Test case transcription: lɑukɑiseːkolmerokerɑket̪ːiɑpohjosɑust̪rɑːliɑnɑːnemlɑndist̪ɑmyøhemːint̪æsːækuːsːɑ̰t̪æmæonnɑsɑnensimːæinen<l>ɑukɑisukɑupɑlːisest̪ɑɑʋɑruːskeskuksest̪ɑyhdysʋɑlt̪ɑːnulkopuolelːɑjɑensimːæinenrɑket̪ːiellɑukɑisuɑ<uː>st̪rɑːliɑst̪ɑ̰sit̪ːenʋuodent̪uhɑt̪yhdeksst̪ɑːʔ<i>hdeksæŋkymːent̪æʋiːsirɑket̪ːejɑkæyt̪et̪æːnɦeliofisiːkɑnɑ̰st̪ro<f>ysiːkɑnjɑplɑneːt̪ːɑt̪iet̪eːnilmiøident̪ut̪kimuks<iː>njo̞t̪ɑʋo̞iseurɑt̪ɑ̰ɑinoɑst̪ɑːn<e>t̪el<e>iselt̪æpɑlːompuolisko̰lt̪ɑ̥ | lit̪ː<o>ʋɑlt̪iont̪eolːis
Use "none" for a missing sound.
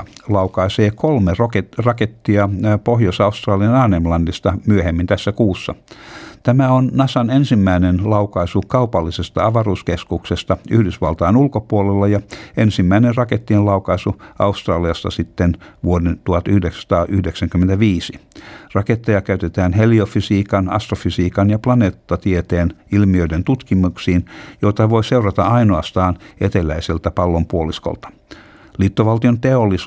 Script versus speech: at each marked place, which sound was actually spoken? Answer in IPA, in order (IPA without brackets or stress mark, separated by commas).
l, u, y, f, iː, e, æ, o